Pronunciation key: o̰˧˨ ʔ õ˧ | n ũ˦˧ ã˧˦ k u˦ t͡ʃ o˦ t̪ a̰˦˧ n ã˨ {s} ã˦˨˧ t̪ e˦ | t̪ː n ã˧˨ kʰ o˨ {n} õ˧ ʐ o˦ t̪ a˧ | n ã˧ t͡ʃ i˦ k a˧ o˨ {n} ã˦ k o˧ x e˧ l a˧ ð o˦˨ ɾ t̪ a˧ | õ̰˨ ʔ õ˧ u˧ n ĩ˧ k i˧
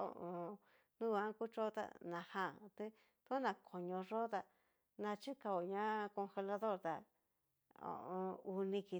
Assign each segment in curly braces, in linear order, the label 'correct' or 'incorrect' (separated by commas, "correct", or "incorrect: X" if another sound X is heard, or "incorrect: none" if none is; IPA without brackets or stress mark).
incorrect: h, incorrect: ɲ, incorrect: ɲ